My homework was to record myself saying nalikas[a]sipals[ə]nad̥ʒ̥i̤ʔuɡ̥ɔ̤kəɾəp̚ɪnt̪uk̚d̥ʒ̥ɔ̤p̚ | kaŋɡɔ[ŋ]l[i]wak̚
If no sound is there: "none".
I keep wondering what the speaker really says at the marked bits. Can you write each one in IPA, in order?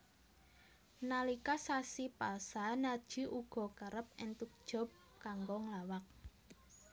a, a, ŋ, a

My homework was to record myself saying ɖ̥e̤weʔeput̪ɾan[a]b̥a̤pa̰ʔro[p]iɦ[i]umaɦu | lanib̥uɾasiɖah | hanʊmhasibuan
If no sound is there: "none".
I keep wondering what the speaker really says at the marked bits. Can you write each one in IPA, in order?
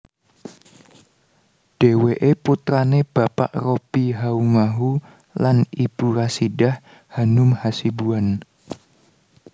e, p, a

